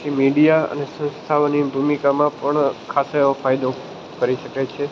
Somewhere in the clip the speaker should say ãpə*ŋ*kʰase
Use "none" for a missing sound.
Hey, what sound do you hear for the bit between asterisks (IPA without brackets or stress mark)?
ɳ